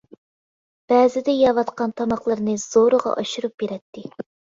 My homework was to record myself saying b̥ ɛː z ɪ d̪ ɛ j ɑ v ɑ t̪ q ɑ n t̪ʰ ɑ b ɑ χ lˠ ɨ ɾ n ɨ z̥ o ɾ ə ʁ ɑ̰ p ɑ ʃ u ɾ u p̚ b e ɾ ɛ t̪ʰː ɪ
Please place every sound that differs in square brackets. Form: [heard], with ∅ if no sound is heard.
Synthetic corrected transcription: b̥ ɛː z ɪ d̪ ɛ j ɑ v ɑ t̪ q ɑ n t̪ʰ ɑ [m] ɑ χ lˠ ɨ ɾ n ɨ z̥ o ɾ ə ʁ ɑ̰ [ʔ] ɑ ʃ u ɾ u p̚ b e ɾ ɛ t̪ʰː ɪ